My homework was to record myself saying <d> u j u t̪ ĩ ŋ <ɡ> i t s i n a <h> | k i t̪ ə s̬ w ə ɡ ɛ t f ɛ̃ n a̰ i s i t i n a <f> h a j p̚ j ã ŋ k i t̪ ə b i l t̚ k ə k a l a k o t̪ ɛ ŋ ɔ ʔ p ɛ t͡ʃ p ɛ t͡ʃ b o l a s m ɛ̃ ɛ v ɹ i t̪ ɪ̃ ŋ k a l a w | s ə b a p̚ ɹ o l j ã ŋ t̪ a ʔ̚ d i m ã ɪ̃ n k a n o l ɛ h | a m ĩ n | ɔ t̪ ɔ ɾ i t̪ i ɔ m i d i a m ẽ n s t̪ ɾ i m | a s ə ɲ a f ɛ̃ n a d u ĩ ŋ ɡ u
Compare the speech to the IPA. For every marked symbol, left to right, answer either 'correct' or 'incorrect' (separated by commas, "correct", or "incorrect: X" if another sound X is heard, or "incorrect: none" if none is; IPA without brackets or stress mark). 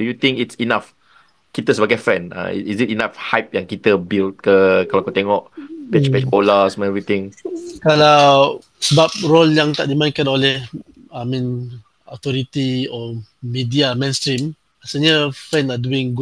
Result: correct, incorrect: k, incorrect: f, correct